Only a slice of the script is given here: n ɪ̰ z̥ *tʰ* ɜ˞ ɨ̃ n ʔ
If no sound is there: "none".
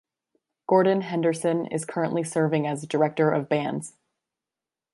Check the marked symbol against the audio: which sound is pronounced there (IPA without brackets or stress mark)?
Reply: kʰ